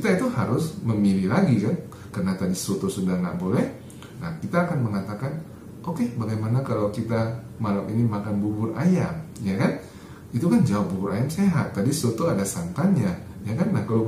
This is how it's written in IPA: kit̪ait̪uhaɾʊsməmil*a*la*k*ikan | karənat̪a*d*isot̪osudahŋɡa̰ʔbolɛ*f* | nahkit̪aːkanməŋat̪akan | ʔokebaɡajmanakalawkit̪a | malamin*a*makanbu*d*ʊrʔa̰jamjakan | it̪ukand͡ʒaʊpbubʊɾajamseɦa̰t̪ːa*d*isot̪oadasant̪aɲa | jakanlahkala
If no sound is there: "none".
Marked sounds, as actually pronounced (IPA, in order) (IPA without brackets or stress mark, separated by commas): i, ɡ, d, h, i, b, d